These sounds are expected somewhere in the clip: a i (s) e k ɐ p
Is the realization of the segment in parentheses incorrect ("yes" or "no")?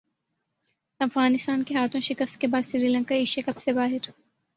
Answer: yes